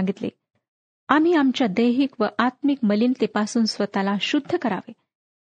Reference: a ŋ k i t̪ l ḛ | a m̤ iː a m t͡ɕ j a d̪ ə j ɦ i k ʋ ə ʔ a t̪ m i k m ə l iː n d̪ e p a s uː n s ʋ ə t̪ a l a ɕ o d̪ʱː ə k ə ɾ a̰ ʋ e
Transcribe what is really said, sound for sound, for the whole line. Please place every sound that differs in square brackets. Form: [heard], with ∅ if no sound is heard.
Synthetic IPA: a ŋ [ɡ] i t̪ l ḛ | a m̤ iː a m t͡ɕ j a d̪ ə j ɦ i k ʋ ə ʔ a t̪ m i k m ə l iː n [t̪] e p a s uː n s ʋ ə t̪ a l a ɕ [u] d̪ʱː ə k ə ɾ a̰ ʋ e